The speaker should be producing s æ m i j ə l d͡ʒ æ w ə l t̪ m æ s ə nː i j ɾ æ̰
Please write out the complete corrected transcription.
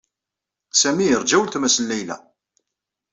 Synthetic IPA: s æ m i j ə ɾ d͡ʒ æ w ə l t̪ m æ s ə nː æ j l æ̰